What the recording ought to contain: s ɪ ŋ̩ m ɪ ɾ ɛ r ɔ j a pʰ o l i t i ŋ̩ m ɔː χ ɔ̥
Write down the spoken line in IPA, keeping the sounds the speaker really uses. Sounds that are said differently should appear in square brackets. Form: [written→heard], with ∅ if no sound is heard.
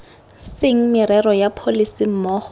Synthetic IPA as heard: s ɪ ŋ̩ m ɪ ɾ ɛ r ɔ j a pʰ o l i [t→s] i [ŋ̩→m̩] m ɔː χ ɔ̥